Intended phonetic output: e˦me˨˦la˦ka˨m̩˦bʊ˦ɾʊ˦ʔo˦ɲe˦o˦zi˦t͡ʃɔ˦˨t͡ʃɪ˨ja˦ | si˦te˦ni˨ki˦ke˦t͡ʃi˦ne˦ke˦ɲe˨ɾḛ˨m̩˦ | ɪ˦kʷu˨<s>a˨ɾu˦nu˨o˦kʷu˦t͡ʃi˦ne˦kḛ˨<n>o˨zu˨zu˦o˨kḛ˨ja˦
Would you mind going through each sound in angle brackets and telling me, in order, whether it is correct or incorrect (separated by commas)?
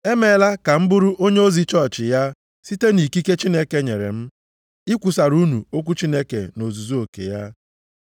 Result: correct, correct